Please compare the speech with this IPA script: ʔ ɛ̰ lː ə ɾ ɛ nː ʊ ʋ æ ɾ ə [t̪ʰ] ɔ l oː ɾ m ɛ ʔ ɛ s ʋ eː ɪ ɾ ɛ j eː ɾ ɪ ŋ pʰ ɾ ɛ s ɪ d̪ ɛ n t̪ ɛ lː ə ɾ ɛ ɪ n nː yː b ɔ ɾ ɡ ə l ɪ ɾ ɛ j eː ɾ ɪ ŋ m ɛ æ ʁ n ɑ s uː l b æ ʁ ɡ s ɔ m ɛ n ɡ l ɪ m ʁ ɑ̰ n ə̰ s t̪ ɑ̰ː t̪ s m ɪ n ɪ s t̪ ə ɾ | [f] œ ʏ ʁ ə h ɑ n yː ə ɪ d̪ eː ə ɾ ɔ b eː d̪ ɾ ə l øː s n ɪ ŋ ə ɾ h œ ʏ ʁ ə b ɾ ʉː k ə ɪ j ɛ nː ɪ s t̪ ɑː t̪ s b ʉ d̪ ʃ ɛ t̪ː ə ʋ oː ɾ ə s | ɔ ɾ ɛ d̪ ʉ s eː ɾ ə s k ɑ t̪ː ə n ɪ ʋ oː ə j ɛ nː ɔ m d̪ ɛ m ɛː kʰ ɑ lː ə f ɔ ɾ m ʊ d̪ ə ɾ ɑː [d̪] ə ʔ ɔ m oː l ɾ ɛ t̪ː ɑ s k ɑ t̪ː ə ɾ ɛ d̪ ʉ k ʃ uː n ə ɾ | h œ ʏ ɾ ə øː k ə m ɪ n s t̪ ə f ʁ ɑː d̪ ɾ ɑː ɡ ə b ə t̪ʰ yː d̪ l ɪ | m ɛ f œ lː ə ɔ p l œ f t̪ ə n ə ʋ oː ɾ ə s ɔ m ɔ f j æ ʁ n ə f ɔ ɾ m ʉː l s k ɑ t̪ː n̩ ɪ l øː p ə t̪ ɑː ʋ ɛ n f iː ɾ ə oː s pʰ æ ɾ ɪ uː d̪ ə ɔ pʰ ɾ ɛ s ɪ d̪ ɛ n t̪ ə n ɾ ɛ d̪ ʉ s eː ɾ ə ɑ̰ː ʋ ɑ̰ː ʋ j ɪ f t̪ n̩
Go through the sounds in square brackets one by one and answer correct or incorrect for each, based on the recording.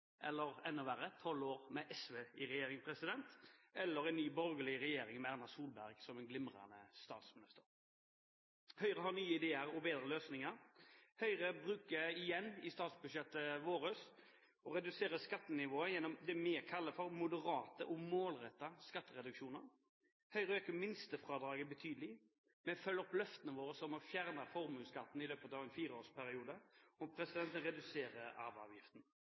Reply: correct, incorrect: h, incorrect: t̪

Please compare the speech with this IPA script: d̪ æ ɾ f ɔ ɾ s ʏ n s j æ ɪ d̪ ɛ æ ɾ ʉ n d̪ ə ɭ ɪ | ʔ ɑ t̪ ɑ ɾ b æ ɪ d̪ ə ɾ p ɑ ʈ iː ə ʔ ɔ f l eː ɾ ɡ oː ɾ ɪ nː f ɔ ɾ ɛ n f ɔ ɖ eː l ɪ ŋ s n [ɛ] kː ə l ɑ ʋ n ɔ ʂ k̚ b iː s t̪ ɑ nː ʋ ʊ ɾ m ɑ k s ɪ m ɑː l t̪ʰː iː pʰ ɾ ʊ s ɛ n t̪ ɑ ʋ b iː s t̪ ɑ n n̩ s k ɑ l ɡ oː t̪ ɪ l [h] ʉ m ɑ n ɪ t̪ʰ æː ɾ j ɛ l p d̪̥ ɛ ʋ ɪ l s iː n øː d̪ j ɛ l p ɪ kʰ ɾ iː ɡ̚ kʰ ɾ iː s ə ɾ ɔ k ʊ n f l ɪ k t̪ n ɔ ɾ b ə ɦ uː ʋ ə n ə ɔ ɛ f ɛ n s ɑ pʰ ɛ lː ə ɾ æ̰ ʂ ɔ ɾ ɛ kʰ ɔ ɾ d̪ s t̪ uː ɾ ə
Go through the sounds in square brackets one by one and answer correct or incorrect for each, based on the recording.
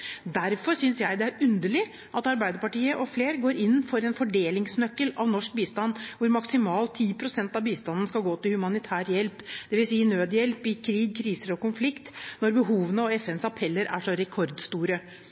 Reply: incorrect: œ, correct

